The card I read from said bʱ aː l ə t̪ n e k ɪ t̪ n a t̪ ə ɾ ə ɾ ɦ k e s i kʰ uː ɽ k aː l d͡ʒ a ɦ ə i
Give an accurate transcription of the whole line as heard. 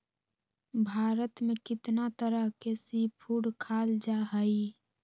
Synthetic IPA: bʱ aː ɾ ə t̪ m e k ɪ t̪ n a t̪ ə ɾ ə ɦ k e s i pʰ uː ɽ kʰ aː l d͡ʒ a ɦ ə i